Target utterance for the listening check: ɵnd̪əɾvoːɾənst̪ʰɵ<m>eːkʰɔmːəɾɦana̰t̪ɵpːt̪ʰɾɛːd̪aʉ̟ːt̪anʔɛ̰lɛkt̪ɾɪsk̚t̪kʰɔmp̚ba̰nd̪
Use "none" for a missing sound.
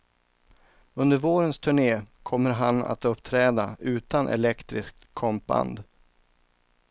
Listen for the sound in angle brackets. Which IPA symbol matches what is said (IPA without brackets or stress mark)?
ɳ